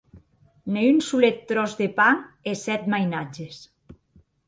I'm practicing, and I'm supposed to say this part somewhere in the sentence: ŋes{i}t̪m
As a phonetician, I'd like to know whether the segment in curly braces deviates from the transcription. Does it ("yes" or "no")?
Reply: yes